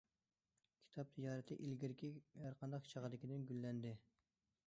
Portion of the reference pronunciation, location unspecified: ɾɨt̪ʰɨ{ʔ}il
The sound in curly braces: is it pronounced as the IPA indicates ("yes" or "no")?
yes